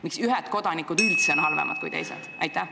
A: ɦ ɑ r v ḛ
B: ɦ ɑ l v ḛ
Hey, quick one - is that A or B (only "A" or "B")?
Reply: B